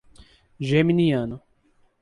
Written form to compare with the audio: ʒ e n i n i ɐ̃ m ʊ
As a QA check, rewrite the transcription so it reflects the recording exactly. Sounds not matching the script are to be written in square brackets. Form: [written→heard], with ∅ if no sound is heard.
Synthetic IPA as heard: ʒ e [n→m] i n i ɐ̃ [m→n] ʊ